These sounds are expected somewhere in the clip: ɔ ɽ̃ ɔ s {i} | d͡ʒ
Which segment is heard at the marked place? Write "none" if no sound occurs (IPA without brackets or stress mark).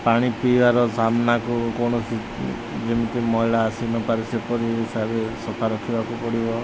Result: i